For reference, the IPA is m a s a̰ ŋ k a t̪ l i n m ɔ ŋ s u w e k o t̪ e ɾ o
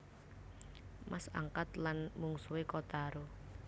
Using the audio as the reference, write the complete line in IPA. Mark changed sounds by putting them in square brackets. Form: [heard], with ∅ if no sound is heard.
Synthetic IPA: m a s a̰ ŋ k a t̪ l [a] n m [u] ŋ s u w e k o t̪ [a] ɾ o